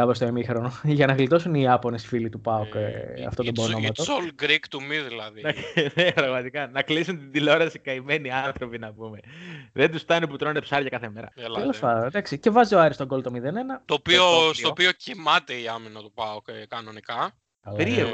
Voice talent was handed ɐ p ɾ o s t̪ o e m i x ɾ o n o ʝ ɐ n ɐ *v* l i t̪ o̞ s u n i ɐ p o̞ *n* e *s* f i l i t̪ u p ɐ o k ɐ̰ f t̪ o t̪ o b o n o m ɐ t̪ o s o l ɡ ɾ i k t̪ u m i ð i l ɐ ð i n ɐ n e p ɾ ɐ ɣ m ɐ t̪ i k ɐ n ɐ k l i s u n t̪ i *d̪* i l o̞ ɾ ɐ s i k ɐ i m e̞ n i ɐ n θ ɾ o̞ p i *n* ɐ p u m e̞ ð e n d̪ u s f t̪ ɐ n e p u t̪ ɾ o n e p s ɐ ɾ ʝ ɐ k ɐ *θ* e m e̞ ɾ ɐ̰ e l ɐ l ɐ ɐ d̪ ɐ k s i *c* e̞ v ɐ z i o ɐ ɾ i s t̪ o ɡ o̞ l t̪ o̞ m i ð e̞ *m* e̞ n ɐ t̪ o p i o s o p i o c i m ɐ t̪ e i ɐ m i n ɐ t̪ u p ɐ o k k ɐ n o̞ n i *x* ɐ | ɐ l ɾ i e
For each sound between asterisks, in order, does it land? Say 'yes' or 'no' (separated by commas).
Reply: no, yes, yes, yes, yes, yes, yes, no, no